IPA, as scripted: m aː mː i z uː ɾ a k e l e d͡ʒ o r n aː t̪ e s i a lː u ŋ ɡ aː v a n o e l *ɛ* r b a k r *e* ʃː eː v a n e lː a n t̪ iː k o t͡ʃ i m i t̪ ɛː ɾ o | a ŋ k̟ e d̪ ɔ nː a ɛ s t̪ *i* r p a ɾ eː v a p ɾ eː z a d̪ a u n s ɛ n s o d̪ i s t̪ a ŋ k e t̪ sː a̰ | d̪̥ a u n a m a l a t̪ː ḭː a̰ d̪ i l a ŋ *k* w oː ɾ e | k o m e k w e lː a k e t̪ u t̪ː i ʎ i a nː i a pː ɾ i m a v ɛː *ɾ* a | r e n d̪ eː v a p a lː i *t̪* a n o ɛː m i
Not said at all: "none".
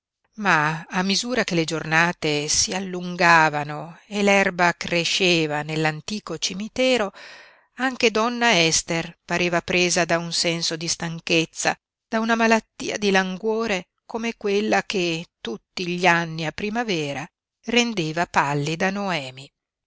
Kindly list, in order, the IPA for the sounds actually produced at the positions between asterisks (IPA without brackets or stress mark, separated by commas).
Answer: ɛ, e, e, ɡ, ɾ, d̪